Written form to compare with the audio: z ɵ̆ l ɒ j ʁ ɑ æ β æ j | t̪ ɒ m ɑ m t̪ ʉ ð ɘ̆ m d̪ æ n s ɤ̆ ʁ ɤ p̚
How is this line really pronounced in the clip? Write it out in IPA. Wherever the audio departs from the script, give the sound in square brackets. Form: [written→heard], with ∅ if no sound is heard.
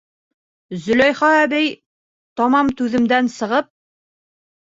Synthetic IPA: z ɵ̆ l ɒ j [ʁ→χ] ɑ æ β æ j | t̪ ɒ m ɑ m t̪ ʉ ð ɘ̆ m d̪ æ n s ɤ̆ ʁ ɤ p̚